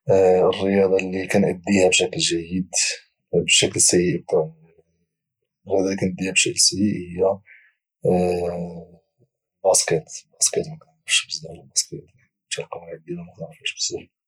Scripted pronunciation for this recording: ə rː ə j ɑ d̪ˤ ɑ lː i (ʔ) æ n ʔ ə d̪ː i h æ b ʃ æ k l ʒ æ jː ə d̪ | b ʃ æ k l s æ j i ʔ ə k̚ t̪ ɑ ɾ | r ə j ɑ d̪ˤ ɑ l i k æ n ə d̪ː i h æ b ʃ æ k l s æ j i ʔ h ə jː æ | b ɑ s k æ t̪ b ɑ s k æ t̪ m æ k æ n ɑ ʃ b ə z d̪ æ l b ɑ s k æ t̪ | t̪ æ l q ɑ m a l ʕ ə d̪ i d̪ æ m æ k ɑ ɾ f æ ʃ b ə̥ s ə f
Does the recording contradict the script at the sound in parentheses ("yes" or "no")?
yes